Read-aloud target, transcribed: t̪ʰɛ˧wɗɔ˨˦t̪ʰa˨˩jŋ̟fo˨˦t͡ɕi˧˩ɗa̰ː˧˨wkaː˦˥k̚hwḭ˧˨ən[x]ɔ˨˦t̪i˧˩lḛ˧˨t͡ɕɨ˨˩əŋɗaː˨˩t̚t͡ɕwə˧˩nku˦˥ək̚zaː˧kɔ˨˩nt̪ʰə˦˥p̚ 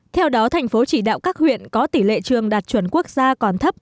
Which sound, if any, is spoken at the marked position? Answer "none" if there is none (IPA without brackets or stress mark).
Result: k